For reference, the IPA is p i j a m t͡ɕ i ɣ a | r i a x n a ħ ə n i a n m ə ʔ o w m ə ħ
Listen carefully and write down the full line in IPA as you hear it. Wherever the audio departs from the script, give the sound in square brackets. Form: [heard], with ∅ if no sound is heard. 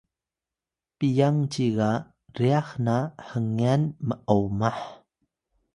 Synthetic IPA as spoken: p i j a [ŋ] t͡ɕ i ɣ a | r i a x n a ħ ə [ŋ] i a n m ə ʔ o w m [a] ħ